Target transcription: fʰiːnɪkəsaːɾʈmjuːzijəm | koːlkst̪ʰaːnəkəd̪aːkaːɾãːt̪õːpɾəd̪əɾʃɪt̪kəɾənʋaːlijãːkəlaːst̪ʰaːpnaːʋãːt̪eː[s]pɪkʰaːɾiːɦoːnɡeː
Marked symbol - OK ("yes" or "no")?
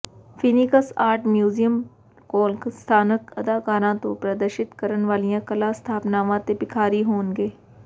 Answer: no